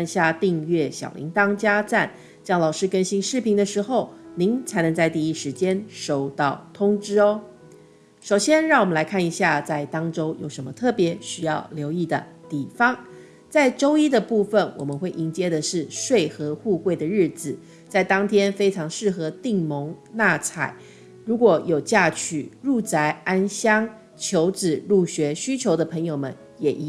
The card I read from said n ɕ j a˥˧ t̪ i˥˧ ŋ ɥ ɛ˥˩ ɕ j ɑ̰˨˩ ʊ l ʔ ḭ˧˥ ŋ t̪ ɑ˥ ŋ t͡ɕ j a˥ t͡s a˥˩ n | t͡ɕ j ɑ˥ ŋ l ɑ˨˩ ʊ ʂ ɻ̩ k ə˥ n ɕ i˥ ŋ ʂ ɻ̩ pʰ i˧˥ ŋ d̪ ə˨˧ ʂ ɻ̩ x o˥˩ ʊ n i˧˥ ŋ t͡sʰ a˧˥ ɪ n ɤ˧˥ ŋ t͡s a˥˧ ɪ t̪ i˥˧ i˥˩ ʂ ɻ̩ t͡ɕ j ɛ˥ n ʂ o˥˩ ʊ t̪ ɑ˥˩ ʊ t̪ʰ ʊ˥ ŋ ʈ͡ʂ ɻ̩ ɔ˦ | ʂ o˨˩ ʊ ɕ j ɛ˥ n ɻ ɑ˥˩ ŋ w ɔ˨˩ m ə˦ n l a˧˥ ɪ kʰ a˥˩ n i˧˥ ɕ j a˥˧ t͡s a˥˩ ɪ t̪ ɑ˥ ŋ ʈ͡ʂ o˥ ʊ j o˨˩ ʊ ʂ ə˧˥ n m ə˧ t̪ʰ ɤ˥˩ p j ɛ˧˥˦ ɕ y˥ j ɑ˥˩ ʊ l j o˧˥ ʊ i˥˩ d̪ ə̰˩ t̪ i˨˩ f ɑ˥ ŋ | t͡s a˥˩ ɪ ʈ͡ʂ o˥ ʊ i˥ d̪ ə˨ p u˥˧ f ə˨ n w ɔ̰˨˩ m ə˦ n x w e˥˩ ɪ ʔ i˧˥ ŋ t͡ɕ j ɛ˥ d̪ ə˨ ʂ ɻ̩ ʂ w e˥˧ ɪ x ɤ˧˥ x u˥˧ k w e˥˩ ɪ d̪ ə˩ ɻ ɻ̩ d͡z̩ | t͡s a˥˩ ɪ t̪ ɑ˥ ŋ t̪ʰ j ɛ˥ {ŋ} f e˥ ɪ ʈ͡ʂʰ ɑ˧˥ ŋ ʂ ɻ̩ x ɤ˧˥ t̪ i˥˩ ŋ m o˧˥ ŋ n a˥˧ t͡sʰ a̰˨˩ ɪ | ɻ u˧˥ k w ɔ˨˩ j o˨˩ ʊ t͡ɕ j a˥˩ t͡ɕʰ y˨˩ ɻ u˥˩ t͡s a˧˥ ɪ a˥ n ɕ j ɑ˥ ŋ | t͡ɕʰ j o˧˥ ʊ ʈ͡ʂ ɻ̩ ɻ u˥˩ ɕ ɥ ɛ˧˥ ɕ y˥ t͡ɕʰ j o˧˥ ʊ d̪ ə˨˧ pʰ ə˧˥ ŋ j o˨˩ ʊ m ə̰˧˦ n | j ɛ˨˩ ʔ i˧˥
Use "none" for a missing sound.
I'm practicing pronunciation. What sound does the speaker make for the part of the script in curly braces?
n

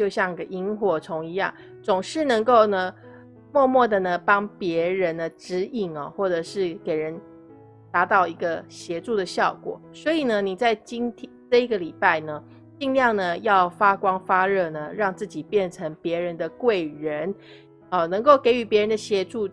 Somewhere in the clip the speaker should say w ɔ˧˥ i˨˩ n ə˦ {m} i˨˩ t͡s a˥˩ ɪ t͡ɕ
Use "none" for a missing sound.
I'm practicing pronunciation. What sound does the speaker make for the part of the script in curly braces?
n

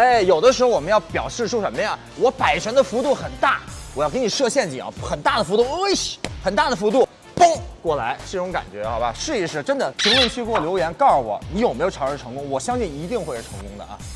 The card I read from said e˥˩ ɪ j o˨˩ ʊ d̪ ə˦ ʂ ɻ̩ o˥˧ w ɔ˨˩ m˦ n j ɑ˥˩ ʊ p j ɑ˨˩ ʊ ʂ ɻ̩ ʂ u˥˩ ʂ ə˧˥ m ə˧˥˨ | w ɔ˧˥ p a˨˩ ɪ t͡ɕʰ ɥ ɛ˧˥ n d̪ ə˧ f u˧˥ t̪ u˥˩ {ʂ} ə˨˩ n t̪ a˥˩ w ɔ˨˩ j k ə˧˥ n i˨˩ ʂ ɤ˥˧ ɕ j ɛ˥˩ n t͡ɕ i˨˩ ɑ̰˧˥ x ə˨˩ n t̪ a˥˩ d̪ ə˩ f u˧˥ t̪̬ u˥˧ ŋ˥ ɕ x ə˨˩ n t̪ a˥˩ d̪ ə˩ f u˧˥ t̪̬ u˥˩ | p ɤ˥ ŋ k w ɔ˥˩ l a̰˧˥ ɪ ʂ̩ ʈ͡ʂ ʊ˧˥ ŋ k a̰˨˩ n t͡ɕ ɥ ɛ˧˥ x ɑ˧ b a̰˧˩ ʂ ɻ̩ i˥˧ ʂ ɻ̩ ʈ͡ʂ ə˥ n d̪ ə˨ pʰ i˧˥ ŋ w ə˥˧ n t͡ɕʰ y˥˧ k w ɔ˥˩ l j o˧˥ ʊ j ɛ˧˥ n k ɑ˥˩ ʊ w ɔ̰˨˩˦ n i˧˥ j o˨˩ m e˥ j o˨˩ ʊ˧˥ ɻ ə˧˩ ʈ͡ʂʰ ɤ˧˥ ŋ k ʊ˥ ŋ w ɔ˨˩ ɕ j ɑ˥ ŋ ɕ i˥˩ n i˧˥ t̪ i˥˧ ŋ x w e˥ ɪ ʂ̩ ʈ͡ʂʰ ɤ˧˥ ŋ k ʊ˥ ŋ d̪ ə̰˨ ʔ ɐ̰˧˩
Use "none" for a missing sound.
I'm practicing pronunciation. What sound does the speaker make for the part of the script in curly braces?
x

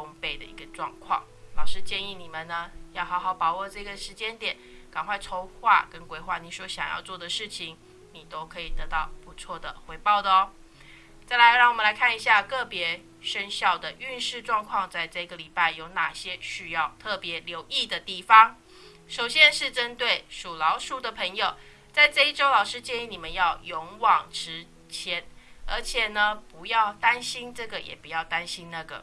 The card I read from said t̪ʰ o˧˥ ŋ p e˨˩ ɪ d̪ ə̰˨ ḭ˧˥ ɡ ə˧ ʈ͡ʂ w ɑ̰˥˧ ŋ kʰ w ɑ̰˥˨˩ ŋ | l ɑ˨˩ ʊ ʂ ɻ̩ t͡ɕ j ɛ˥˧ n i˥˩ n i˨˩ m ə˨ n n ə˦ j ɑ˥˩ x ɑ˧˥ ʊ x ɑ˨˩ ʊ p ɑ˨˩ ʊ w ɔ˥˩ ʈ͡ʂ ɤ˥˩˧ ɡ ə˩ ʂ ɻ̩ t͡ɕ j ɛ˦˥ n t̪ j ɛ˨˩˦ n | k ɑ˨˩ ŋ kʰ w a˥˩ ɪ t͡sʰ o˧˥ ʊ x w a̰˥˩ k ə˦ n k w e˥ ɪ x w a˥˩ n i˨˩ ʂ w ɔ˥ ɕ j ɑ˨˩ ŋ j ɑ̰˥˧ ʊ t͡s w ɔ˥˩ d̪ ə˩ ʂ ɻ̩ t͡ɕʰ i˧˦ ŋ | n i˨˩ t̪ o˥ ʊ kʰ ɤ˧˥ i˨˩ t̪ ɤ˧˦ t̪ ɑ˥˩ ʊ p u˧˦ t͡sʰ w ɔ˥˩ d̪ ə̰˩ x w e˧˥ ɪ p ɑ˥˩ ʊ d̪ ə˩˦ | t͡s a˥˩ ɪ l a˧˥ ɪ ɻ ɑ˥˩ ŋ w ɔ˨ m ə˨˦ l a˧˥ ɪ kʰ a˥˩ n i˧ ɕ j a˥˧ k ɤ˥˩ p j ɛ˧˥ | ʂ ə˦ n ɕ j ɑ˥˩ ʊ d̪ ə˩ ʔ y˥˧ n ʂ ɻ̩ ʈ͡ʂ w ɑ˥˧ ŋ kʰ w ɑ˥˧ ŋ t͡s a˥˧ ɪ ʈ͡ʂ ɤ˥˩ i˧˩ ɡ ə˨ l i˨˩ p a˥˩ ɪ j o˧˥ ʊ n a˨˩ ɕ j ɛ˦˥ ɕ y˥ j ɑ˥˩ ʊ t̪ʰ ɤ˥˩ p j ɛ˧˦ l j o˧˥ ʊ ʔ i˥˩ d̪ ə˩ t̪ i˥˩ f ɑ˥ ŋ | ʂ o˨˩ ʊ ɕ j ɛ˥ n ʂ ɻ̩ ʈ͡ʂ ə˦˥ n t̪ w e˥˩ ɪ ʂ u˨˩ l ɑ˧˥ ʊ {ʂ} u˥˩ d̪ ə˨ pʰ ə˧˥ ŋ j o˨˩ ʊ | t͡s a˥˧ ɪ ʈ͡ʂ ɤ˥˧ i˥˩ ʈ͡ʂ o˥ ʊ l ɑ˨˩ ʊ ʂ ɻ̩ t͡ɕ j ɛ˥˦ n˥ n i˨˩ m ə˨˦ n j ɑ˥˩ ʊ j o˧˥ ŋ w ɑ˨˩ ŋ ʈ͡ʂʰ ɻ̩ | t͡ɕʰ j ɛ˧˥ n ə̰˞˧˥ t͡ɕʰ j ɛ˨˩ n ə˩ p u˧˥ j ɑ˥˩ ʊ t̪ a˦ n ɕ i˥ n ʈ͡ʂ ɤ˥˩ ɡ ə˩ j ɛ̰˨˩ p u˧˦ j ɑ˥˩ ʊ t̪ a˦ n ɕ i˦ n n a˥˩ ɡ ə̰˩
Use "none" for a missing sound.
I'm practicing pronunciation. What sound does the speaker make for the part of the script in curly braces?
ʂ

